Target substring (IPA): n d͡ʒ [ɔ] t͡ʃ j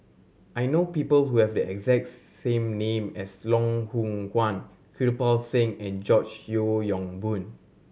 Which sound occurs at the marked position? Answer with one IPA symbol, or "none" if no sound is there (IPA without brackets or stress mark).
ɔ